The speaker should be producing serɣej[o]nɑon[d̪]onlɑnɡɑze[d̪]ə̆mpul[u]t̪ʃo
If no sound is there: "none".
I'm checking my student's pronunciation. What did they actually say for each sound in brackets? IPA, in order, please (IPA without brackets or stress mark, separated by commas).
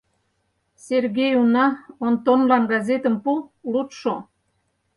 u, t̪, t̪, u